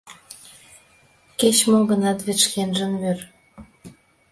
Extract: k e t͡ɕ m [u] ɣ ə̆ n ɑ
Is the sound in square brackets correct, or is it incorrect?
incorrect